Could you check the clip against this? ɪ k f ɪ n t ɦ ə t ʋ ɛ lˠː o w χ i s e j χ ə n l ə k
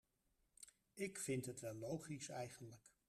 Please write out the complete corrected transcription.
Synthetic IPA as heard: ɪ k f ɪ n t ɦ ə t ʋ ɛ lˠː o w χ i s ɛ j χ ə n l ə k